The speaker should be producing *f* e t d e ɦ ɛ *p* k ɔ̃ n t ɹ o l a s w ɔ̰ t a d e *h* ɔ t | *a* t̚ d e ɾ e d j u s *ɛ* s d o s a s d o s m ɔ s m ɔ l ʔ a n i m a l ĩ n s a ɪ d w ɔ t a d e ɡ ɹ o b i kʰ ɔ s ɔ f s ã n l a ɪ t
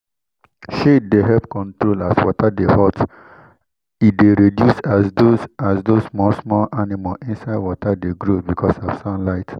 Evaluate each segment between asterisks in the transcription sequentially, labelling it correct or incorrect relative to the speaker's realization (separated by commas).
incorrect, correct, correct, incorrect, incorrect